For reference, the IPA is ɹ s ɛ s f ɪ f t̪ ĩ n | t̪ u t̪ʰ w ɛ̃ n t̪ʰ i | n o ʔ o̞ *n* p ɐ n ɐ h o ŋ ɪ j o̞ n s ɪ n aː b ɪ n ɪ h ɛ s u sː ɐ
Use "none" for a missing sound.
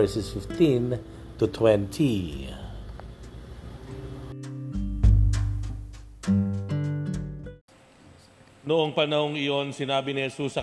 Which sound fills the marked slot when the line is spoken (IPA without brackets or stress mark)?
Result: ŋ